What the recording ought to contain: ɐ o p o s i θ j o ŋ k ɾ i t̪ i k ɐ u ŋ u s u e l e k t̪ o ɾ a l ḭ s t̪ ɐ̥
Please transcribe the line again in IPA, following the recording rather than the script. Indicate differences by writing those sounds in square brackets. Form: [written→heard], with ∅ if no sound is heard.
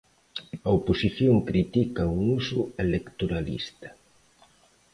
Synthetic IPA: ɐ o p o s i θ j o ŋ k ɾ i t̪ i k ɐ u ŋ u s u e l e k t̪ o ɾ a l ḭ s t̪ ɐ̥